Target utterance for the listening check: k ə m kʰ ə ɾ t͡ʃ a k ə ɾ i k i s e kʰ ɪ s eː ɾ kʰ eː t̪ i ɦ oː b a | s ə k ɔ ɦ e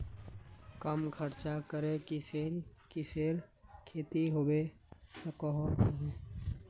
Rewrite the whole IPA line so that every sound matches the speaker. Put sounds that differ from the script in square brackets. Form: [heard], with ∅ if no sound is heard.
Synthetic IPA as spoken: k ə m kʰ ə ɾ t͡ʃ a k ə ɾ [e] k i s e [k] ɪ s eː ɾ kʰ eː t̪ i ɦ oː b [e] | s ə k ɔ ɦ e